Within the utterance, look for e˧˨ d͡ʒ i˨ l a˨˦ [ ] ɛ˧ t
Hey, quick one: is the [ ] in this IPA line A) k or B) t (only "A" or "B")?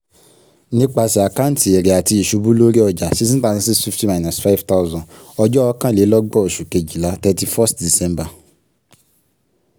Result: B